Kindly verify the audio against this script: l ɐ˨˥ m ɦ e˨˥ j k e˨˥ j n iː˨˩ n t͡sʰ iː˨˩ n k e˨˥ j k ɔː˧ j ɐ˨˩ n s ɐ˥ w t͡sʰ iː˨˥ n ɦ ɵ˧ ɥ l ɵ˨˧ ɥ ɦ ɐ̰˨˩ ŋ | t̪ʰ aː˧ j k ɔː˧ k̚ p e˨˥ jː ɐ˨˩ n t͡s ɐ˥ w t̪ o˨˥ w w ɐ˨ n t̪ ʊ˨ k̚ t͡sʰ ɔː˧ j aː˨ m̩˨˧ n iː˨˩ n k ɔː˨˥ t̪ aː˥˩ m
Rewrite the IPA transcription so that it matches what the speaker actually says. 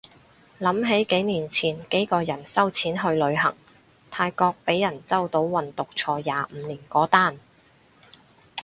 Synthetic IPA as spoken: l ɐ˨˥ m ɦ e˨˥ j k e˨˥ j n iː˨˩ n t͡sʰ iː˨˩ n k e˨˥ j k ɔː˧ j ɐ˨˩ n s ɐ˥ w t͡sʰ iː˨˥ n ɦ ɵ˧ ɥ l ɵ˨˧ ɥ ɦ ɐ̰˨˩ ŋ | t̪ʰ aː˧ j k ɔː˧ k̚ p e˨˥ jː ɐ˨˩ n t͡s ɐ˥ w t̪ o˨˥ w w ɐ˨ n t̪ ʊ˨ k̚ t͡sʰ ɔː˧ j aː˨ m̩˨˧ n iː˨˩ n k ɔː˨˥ t̪ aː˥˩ n

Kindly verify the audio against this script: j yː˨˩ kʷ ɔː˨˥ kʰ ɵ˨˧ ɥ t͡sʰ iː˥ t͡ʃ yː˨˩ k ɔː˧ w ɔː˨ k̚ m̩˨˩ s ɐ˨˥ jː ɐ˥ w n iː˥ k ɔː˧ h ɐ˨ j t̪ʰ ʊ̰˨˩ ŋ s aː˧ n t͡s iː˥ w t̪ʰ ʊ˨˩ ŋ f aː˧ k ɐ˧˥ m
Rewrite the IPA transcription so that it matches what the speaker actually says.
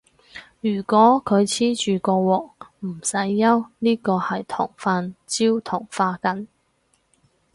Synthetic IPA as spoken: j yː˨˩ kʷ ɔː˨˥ kʰ ɵ˨˧ ɥ t͡sʰ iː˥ t͡ʃ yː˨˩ k ɔː˧ w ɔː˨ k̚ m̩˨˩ s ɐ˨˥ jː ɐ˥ w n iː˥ k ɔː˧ h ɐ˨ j t̪ʰ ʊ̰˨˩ ŋ f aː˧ n t͡s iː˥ w t̪ʰ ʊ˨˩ ŋ f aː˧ k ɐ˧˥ n

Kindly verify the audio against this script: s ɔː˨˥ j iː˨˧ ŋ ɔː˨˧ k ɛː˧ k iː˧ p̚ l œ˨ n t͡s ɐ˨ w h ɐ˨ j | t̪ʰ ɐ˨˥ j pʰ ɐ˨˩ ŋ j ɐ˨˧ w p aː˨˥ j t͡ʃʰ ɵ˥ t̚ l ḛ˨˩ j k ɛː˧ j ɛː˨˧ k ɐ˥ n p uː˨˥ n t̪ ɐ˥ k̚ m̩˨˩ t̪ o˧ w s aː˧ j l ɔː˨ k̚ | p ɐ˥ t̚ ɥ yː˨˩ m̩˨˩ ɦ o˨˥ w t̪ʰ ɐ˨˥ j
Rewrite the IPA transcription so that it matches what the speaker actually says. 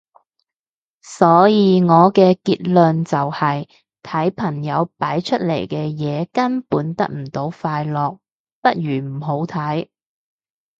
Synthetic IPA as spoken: s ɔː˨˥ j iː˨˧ ŋ ɔː˨˧ k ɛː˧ k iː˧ t̚ l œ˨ n t͡s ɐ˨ w h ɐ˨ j | t̪ʰ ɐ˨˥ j pʰ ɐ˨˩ ŋ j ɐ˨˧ w p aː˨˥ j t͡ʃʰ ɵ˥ t̚ l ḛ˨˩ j k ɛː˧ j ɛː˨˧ k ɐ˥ n p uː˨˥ n t̪ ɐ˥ k̚ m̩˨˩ t̪ o˨˥ w f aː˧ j l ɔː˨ k̚ | p ɐ˥ t̚ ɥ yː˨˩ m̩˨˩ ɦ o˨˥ w t̪ʰ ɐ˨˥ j

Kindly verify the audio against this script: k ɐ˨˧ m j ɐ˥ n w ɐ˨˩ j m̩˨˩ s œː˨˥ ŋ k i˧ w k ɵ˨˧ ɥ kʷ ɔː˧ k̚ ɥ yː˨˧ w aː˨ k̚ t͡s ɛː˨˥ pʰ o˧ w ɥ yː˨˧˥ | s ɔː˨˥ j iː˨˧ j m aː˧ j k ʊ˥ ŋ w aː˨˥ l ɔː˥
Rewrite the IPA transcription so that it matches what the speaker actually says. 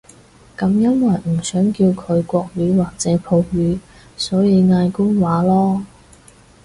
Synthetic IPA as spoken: k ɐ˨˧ m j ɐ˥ n w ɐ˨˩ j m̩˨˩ s œː˨˥ ŋ k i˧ w kʰ ɵ˨˧ ɥ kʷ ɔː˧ k̚ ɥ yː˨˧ w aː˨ k̚ t͡s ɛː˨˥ pʰ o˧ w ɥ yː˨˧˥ | s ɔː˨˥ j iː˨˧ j ŋ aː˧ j k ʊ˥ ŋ w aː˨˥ l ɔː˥

